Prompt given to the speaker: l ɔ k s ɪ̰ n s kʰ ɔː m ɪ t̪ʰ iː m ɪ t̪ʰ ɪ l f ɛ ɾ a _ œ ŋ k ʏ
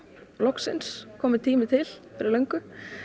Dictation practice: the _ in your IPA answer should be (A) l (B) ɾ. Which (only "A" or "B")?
A